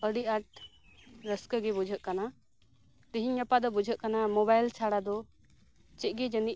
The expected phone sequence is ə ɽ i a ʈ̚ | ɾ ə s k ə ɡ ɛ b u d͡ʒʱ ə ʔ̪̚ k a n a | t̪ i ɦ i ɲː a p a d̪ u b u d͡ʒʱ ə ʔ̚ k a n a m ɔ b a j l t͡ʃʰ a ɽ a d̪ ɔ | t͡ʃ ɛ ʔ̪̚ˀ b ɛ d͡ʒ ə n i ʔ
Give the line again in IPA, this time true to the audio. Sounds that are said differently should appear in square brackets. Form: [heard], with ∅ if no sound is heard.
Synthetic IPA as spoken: ə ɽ i a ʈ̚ | ɾ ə s k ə ɡ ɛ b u d͡ʒʱ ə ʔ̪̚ k a n a | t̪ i ɦ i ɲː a p a d̪ [ɔ] b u d͡ʒʱ ə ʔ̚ k a n a m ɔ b a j l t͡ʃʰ a ɽ a d̪ ɔ | t͡ʃ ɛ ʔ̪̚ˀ [ɡ] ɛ d͡ʒ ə n i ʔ